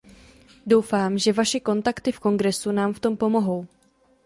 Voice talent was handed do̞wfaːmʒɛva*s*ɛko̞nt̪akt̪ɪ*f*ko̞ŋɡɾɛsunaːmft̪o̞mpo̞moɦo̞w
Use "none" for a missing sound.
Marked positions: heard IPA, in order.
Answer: ʃ, f

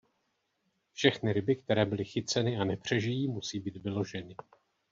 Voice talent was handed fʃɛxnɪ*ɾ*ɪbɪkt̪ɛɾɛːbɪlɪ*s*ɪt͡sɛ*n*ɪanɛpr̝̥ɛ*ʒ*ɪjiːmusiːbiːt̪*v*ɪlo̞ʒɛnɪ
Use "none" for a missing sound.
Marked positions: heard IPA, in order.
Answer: ɾ, x, n, ʒ, v

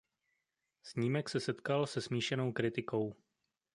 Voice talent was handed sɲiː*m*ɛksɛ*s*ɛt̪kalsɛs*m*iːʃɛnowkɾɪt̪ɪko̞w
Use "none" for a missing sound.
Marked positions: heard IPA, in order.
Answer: m, s, m

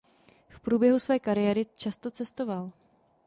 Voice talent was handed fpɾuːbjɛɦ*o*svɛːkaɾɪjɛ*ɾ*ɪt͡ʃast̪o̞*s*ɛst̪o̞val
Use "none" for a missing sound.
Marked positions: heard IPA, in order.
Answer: u, ɾ, t͡s

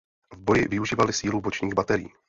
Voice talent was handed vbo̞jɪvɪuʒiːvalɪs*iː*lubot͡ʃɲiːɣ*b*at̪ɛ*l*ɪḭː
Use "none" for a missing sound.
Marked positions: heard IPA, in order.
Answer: iː, b, ɾ

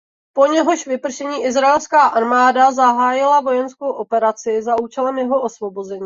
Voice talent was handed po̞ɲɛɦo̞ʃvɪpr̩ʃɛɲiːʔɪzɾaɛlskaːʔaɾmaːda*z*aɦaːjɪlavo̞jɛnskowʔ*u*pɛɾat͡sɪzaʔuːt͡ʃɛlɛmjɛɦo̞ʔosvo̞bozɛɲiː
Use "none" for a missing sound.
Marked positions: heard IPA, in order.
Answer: z, o

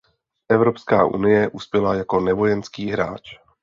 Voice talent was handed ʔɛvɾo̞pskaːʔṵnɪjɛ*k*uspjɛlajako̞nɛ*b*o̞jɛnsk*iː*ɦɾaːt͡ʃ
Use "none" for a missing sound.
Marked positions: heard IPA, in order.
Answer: ʔ, v, iː

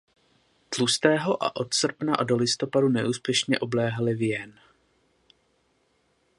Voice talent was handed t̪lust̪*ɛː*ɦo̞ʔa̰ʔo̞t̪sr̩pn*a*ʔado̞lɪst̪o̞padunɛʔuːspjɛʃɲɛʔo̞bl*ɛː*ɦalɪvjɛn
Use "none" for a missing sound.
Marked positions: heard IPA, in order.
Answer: ɛː, a, ɛː

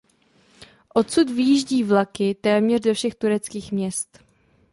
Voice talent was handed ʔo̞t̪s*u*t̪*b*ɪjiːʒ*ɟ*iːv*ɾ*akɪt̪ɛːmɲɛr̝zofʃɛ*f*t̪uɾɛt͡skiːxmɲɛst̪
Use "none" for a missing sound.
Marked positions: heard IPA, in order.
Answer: u, v, ɟ, l, x

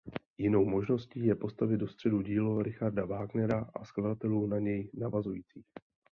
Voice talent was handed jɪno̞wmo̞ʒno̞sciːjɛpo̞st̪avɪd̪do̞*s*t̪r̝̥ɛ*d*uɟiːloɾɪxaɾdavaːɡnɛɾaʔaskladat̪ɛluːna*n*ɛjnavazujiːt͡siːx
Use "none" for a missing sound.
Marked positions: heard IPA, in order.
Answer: s, d, ɲ

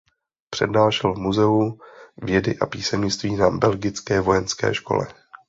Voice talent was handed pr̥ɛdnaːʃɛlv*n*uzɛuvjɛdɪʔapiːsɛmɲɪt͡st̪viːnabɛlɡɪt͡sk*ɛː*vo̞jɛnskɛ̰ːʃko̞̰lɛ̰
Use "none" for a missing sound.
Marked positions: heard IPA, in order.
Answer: m, ɛː

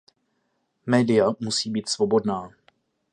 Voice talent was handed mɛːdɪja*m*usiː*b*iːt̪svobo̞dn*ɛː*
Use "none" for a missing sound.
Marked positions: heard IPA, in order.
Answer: m, b, aː

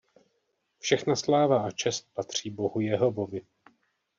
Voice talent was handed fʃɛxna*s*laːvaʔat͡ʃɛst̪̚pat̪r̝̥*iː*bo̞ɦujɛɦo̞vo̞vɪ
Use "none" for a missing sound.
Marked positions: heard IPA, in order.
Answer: s, iː

